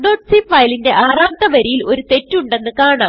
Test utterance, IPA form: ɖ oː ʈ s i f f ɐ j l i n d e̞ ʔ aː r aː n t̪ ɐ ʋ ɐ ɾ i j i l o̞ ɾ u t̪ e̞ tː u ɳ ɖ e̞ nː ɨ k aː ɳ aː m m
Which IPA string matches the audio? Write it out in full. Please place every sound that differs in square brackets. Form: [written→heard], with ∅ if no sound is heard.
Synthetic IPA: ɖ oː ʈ s i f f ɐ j l i n d e̞ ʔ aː r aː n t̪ ɐ ʋ ɐ ɾ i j i l o̞ ɾ u t̪ e̞ tː u ɳ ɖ e̞ nː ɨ k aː ɳ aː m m